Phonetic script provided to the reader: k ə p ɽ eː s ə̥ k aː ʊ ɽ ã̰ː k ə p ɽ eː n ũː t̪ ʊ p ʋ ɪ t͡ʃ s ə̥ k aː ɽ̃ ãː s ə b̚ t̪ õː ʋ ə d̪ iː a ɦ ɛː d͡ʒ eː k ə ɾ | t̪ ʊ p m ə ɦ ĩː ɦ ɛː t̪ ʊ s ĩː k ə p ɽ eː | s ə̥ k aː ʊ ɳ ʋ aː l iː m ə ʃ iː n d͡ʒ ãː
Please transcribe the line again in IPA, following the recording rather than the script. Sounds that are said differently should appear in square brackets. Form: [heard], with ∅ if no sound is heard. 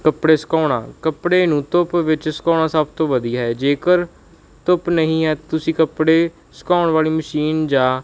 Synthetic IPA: k ə p ɽ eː s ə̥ k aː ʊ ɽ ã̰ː k ə p ɽ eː n ũː t̪ ʊ p ʋ ɪ t͡ʃ s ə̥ k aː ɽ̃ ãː s ə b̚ t̪ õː ʋ ə d̪ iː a ɦ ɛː d͡ʒ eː k ə ɾ | t̪ ʊ p [n] ə ɦ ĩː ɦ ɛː t̪ ʊ s ĩː k ə p ɽ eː | s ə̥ k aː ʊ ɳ ʋ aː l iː m ə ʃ iː n d͡ʒ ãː